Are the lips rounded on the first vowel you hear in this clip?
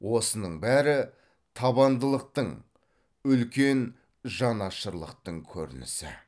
yes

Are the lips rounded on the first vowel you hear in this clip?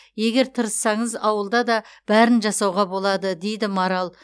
no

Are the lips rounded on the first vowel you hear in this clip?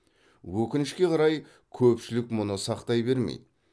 yes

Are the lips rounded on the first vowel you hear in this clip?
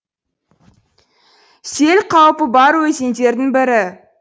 no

